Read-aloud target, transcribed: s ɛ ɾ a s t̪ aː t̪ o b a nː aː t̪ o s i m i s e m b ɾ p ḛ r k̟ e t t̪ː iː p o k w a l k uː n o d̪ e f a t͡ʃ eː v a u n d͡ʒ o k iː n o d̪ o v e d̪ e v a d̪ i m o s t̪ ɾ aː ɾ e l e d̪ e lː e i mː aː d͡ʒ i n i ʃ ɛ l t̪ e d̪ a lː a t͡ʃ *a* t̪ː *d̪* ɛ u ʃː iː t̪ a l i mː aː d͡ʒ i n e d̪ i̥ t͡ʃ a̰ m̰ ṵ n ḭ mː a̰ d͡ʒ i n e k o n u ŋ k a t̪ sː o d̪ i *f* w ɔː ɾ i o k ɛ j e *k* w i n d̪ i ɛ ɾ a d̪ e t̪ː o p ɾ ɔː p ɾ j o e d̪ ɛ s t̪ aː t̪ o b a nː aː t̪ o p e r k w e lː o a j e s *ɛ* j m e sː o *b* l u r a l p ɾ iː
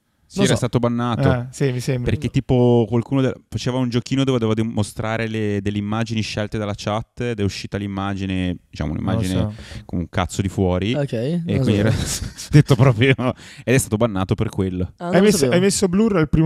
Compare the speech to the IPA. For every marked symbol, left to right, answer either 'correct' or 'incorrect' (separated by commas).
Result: correct, correct, correct, correct, incorrect, correct